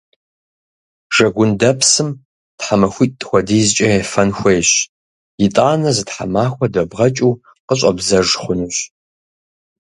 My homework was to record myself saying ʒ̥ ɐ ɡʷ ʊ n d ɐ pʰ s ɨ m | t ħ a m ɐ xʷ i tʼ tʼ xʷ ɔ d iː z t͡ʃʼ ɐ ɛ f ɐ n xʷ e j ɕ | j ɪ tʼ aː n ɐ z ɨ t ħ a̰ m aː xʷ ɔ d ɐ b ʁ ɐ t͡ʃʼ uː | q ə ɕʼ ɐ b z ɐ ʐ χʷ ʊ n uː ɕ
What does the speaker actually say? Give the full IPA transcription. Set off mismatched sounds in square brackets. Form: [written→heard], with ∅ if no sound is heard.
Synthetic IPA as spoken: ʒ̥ ɐ ɡʷ ʊ n d ɐ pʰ s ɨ m | t ħ a m ɐ xʷ i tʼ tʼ xʷ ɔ d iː z t͡ʃʼ ɐ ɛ f ɐ n xʷ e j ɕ | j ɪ tʼ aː n ɐ z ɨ t ħ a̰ m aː xʷ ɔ d ɐ b ʁ ɐ t͡ʃʼ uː | q ə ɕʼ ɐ b z ɐ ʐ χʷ ʊ n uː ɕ